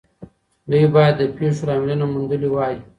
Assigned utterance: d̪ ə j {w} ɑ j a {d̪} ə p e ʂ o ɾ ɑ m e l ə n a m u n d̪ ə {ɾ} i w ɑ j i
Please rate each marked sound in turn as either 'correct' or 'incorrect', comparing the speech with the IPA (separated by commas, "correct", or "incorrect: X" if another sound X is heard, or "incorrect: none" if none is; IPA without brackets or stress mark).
incorrect: b, incorrect: d̪ː, incorrect: l